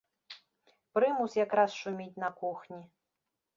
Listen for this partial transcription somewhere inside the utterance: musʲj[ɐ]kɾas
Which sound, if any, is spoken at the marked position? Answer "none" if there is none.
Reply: a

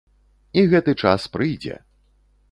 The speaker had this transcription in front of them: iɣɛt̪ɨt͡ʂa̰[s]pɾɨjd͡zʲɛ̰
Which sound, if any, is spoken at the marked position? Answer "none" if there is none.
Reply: s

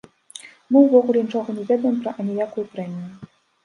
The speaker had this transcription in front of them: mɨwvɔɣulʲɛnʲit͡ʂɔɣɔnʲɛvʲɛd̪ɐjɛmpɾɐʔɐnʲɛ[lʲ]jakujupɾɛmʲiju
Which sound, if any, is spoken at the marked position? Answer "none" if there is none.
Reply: none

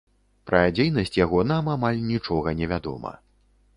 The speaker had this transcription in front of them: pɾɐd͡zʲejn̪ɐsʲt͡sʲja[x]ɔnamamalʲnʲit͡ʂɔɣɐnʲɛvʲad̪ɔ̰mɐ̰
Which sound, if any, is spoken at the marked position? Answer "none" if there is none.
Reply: ɣ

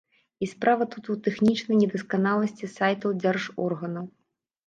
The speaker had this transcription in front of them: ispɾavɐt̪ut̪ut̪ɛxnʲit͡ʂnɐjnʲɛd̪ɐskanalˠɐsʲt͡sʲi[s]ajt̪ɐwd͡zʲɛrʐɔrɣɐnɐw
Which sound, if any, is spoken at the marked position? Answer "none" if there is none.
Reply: s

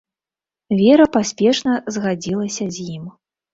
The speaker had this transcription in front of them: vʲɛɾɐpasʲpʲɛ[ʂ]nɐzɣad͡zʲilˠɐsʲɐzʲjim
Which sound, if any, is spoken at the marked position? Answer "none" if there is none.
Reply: ʂ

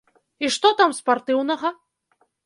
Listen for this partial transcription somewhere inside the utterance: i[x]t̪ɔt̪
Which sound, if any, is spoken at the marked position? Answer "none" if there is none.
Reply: ʂ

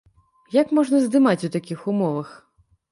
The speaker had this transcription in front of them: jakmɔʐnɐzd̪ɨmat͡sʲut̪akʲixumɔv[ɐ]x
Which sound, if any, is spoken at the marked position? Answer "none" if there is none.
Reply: ɐ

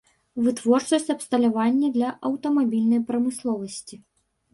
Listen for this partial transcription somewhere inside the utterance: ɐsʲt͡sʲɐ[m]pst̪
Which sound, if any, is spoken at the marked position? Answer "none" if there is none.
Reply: none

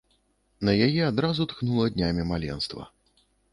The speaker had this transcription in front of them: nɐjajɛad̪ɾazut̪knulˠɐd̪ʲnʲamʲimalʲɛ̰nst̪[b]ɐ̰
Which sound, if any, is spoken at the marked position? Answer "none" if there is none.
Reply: v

